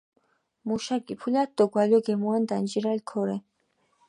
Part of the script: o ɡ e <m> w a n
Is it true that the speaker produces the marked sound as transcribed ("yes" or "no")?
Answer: yes